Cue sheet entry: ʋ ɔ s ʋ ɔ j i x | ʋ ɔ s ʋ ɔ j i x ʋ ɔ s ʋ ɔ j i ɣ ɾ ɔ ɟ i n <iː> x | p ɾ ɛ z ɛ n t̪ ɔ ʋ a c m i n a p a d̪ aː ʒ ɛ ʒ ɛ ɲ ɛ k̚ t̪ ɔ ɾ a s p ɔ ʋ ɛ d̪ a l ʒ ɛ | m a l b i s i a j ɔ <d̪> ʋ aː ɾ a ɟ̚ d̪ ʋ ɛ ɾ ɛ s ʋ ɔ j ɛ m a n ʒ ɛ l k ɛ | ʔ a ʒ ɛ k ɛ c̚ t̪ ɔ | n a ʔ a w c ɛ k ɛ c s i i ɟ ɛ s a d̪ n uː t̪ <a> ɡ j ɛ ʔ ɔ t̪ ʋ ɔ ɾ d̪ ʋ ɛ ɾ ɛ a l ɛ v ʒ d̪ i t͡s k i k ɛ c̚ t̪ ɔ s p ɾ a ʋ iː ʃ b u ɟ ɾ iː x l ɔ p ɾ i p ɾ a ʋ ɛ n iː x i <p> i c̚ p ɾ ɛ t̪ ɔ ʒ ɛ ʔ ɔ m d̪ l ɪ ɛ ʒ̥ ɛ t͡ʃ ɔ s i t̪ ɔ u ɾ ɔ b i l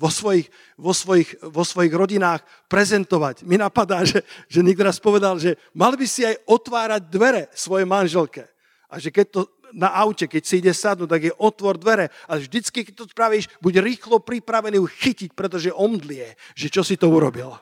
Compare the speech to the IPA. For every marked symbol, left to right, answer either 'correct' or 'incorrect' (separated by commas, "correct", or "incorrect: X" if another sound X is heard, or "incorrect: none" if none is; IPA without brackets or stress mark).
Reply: incorrect: aː, incorrect: t̪, correct, incorrect: c